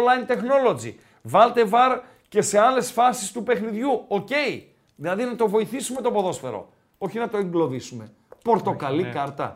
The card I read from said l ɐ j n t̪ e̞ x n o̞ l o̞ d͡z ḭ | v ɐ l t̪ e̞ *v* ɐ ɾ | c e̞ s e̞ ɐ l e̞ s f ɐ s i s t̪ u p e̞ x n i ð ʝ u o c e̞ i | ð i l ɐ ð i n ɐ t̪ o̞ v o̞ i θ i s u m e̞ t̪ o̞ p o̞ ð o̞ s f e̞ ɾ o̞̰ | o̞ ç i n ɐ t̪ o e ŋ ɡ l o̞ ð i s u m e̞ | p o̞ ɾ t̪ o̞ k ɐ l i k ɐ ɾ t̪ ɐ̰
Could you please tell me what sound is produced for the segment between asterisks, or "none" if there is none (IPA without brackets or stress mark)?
v